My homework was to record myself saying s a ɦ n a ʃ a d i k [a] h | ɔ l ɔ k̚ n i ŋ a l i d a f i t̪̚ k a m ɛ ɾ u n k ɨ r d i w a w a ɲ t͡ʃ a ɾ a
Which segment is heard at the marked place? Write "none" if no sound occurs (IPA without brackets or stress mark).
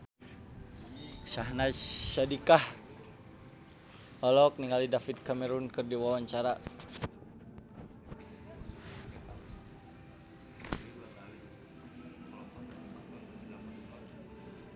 a